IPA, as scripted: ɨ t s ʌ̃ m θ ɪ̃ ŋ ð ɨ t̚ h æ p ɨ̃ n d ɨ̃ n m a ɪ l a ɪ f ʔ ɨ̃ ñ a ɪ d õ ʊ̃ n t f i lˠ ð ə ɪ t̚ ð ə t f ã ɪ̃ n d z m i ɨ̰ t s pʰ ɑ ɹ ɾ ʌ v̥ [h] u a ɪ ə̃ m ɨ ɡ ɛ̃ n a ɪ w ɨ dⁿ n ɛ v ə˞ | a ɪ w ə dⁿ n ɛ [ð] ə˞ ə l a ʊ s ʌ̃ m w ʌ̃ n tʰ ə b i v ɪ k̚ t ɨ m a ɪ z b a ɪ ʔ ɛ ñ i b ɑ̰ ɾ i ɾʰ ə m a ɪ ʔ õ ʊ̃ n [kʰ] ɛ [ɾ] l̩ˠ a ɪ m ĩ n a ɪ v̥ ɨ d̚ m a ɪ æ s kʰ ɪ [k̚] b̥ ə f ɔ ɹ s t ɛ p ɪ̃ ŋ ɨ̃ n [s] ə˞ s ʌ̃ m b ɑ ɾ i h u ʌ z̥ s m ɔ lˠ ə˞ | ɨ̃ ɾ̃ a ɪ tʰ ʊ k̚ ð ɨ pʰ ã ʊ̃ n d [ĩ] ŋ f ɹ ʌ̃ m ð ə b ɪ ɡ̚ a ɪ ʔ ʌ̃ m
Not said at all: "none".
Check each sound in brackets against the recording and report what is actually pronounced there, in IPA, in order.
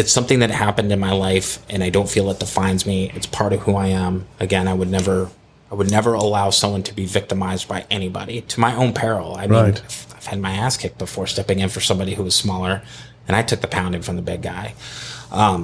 h, v, pʰ, ɹ, k̚, f, ɪ̃

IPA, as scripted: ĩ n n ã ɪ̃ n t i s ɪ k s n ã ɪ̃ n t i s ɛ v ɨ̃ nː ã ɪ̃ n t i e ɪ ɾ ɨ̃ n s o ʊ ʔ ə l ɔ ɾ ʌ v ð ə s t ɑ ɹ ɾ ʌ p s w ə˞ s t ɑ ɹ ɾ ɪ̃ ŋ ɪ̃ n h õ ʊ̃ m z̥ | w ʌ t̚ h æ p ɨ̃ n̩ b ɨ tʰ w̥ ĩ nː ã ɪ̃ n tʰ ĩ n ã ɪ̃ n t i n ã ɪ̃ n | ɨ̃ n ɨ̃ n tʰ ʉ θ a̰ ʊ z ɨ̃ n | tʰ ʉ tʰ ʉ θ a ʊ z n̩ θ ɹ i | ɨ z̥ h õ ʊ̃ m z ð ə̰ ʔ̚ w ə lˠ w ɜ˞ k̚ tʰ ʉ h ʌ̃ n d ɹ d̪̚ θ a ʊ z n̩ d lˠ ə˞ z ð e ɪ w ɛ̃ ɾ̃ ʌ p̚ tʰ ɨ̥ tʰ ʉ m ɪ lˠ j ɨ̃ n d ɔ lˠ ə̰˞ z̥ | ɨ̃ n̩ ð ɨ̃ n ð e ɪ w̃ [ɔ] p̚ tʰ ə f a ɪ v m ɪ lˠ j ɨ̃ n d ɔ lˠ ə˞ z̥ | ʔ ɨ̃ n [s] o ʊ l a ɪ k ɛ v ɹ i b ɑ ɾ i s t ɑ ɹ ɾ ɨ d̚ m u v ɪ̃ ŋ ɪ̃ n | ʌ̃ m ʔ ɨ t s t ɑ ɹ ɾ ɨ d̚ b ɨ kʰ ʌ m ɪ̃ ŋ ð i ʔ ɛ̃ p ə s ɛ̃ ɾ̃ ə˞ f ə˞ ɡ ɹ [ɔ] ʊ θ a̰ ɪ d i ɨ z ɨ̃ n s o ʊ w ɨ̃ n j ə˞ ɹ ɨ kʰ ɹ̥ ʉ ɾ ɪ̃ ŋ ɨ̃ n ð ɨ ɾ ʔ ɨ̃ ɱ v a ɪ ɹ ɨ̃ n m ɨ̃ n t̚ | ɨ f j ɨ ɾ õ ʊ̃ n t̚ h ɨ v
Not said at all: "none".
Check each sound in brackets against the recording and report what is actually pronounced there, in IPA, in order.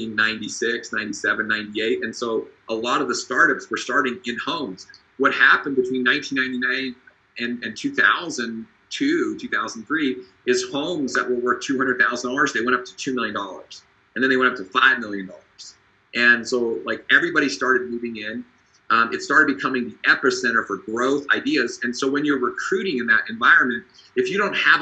ʌ, s, o

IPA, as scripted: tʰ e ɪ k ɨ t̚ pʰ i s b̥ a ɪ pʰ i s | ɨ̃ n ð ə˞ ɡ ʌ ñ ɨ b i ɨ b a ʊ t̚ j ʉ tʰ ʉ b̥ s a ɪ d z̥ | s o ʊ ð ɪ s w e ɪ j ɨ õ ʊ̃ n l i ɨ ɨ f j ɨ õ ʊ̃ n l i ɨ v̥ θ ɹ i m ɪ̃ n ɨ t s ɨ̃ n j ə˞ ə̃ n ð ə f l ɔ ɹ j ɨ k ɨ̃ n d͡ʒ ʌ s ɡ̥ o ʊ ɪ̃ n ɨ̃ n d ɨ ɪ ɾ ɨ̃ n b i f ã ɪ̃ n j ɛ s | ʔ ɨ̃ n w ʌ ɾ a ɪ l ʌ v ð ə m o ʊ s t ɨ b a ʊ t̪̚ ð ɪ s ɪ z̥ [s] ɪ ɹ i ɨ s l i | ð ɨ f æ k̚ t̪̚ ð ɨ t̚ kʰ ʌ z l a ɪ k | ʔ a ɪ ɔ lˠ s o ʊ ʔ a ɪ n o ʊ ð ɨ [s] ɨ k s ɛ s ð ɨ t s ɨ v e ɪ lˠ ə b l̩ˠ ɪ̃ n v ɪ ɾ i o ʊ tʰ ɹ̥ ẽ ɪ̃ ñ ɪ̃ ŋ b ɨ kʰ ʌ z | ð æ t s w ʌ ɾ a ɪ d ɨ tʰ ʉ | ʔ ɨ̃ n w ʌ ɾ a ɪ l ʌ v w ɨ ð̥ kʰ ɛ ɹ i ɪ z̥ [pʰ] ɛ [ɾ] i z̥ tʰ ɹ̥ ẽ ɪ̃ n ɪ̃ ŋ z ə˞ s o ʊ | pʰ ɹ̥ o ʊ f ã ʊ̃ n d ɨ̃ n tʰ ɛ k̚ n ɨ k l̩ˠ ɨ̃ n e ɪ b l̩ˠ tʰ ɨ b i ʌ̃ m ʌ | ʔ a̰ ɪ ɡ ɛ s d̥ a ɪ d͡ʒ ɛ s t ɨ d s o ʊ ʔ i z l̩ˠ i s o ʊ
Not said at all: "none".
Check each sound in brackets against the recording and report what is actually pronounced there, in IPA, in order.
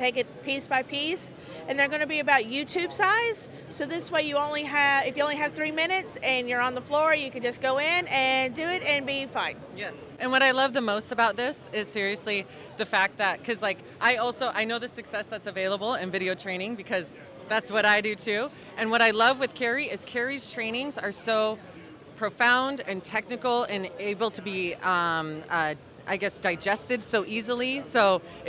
s, s, kʰ, ɹ

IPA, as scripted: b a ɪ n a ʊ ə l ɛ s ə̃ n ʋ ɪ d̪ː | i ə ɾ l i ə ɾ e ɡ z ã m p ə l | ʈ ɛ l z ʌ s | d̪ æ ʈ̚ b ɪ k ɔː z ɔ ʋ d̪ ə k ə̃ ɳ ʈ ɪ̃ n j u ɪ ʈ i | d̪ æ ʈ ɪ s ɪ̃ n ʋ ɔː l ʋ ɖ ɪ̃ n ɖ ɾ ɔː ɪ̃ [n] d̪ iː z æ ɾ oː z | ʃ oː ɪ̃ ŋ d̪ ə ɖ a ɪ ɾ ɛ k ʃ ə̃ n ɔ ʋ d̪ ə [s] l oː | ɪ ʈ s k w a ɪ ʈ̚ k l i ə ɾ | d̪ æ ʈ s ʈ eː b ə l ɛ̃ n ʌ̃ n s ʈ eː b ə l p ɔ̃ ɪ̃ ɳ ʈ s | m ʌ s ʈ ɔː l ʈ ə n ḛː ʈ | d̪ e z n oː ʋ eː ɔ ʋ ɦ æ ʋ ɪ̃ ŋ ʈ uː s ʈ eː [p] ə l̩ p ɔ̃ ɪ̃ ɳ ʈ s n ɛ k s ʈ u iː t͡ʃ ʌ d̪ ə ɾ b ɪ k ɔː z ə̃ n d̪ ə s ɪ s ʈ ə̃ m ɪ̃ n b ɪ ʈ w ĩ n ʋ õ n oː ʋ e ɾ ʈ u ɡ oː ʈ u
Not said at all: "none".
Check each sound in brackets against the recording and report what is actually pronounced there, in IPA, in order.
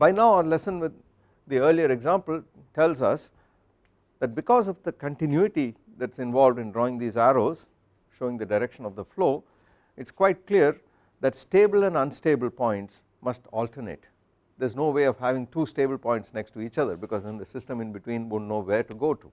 ŋ, f, b

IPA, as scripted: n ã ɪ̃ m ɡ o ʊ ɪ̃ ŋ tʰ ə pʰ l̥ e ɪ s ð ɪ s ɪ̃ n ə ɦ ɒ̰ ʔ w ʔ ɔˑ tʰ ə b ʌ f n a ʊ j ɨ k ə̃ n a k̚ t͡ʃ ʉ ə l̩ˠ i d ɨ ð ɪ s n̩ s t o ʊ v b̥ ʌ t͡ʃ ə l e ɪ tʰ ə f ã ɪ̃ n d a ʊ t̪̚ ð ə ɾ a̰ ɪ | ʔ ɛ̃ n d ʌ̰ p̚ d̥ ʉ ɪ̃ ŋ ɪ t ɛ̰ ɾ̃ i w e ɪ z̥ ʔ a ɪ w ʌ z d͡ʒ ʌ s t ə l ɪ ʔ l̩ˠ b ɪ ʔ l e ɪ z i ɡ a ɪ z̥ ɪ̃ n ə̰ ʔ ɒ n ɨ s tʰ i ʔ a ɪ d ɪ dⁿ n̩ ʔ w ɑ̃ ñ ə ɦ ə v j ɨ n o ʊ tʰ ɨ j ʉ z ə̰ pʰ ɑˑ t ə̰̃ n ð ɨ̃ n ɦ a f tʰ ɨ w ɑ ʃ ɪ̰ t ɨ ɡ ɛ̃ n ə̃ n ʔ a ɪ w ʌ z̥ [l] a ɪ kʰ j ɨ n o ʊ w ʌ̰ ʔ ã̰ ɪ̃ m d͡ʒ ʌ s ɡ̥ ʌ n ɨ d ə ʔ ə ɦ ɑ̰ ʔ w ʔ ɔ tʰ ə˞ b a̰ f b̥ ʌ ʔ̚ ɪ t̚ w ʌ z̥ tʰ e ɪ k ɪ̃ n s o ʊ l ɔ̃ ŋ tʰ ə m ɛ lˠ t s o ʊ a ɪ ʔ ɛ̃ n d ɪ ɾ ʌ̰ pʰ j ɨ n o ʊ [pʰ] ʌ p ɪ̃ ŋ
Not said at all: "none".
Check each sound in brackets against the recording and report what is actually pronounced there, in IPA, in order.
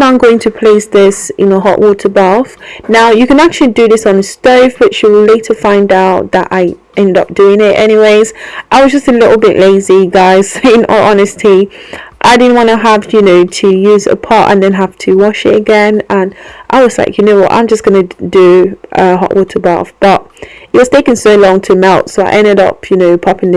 l, pʰ

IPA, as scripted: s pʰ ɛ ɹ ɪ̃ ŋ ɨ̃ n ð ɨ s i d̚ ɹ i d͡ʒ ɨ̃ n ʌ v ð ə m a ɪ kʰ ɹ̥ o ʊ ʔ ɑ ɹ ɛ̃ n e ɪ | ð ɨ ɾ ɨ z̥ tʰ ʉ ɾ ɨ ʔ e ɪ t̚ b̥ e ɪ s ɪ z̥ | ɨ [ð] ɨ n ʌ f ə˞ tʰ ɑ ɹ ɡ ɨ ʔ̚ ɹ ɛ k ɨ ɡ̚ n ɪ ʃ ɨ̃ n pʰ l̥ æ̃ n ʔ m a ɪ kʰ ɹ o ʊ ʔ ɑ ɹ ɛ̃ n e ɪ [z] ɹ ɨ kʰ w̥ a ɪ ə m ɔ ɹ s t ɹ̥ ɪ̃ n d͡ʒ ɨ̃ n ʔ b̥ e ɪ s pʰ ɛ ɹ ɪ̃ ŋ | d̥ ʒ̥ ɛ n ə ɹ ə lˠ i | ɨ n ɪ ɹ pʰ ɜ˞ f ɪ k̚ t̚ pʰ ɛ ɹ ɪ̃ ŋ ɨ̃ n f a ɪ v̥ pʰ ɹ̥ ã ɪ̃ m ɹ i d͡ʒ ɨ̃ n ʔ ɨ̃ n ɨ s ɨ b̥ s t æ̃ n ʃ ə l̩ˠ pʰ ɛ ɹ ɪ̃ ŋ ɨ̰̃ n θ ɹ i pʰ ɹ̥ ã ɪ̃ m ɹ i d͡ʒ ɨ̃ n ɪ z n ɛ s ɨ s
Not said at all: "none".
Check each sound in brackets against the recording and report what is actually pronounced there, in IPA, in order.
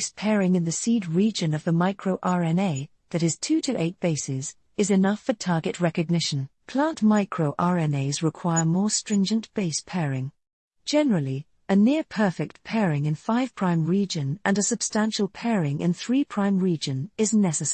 z, z

